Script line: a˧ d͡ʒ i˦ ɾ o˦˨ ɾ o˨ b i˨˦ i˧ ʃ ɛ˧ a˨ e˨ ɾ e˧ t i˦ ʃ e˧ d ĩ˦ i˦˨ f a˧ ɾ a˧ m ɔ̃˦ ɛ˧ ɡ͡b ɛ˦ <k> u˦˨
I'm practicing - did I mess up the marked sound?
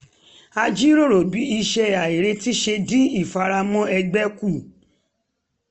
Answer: no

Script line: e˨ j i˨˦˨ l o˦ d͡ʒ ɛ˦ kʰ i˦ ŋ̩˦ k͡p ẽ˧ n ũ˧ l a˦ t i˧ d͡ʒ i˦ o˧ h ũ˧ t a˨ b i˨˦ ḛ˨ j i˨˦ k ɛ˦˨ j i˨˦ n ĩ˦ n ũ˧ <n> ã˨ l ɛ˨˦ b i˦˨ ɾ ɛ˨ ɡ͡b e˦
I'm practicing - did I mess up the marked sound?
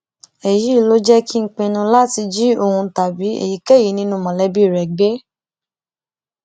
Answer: yes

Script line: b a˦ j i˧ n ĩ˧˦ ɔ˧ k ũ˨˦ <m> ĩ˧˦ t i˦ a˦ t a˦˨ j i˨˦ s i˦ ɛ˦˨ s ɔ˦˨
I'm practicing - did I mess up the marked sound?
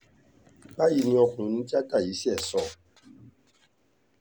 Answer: yes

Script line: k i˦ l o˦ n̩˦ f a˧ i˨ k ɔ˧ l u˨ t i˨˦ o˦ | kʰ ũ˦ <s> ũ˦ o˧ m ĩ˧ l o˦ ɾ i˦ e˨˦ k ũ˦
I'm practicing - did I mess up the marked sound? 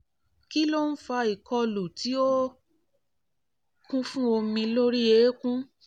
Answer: yes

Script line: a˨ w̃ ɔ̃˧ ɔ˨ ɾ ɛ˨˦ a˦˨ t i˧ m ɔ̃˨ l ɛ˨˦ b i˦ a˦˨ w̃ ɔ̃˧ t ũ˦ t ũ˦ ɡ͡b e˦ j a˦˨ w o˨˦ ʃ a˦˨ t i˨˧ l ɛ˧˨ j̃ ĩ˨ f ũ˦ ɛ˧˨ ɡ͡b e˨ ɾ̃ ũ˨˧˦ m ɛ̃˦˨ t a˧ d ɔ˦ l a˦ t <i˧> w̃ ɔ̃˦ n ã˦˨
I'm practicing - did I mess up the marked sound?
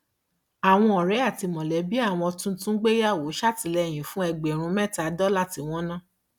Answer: no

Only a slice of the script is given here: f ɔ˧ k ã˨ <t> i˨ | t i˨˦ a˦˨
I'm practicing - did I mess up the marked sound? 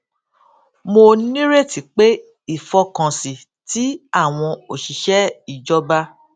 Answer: yes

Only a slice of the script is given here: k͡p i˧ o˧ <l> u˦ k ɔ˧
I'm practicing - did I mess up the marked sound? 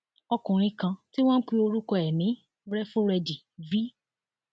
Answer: yes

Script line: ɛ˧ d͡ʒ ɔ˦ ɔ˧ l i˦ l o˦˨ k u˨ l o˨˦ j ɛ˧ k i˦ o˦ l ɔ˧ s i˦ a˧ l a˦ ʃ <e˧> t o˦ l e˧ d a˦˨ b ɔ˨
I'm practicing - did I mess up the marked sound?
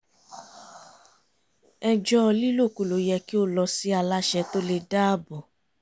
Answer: yes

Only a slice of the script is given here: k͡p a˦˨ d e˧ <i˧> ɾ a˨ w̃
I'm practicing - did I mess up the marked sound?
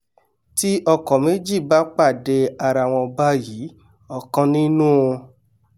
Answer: yes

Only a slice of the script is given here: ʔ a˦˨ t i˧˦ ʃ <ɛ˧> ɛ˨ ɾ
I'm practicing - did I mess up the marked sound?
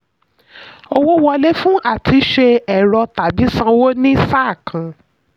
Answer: yes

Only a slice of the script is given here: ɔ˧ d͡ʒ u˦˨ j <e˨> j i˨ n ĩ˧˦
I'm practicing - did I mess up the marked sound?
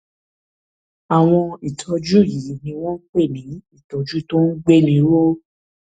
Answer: yes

